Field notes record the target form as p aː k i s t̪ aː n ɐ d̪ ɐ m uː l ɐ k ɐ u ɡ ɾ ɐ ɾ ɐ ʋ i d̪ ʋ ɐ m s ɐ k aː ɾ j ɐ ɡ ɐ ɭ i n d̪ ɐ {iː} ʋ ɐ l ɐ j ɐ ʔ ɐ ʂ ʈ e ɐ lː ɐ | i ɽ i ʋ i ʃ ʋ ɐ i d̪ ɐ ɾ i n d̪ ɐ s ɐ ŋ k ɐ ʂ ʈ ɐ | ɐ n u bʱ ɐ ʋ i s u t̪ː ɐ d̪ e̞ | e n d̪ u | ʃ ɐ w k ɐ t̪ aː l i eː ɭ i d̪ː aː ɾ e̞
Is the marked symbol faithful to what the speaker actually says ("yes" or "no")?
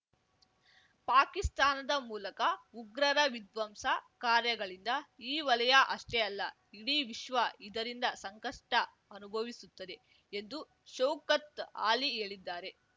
yes